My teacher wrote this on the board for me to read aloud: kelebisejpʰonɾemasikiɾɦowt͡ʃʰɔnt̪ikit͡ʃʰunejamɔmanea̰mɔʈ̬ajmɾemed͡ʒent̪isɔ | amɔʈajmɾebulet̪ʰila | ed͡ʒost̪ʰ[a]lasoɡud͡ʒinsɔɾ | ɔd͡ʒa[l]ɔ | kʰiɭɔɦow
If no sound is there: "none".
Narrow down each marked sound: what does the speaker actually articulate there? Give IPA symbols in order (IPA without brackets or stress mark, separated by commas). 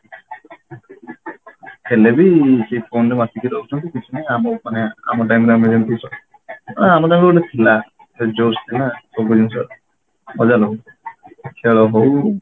i, l